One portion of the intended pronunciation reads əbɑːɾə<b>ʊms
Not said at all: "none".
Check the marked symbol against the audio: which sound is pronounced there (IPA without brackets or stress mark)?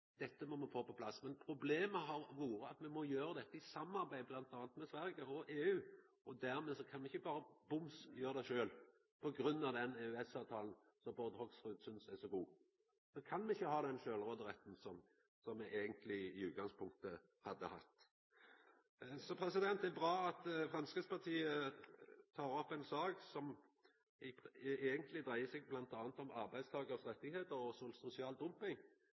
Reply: b